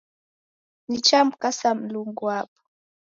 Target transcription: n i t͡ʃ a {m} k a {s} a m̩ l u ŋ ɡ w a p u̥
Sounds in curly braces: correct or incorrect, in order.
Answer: correct, correct

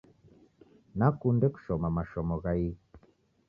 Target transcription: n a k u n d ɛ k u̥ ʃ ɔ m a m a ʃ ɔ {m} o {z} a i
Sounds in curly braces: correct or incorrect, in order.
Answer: correct, incorrect: ɣ

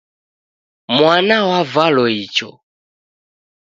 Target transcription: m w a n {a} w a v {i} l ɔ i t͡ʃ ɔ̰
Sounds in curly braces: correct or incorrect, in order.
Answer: correct, incorrect: a

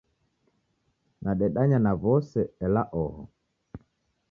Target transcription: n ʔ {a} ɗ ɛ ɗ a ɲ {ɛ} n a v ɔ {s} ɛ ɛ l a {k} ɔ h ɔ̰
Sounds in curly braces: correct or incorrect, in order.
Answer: correct, incorrect: a, correct, incorrect: ʔ

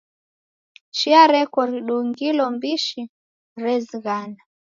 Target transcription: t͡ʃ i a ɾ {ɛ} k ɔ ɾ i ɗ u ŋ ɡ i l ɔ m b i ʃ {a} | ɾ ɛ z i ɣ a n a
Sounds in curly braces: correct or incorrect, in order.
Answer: correct, incorrect: i

